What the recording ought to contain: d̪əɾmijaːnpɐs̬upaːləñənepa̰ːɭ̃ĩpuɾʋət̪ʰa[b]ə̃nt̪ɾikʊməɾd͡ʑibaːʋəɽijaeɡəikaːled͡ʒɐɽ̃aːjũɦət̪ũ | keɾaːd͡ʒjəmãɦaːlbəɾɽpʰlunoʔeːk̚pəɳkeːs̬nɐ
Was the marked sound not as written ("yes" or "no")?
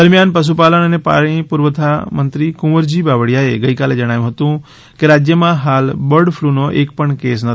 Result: yes